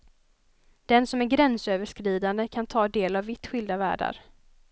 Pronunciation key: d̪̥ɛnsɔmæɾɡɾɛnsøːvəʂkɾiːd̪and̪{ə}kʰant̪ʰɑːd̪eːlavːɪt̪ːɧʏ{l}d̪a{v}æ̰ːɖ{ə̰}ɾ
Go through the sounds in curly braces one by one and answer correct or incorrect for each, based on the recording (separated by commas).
correct, correct, correct, incorrect